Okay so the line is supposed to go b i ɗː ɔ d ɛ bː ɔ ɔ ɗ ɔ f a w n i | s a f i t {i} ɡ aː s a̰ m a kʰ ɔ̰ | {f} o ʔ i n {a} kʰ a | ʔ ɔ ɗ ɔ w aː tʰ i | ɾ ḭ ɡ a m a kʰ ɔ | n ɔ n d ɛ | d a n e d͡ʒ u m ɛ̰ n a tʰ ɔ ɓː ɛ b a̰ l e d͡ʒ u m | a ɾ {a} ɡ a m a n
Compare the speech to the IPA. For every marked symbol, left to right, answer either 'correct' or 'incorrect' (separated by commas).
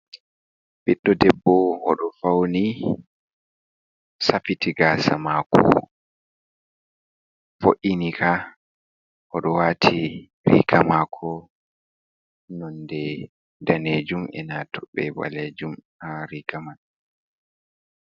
correct, correct, incorrect, incorrect